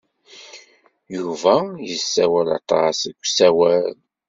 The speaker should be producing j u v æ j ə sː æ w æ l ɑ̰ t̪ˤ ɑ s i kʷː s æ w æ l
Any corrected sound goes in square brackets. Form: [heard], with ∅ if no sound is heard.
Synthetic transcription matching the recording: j u v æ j ə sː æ w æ l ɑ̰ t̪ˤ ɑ s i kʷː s æ w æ l